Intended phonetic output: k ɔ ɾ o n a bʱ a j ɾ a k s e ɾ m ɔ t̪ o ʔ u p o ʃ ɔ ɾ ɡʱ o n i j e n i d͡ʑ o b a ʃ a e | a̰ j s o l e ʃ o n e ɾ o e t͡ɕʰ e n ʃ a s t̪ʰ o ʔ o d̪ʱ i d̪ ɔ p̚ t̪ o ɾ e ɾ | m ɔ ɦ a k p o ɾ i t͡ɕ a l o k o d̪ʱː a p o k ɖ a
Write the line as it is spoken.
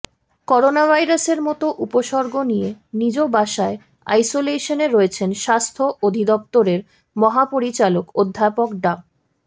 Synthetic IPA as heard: k ɔ ɾ o n a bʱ a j ɾ a s e ɾ m ɔ t̪ o ʔ u p o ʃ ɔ ɾ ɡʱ o n i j e n i d͡ʑ o b a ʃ a e | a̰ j s o l e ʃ o n e ɾ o e t͡ɕʰ e n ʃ a s t̪ʰ o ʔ o d̪ʱ i d̪ ɔ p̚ t̪ o ɾ e ɾ | m ɔ ɦ a p o ɾ i t͡ɕ a l o k o d̪ʱː a p o k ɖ a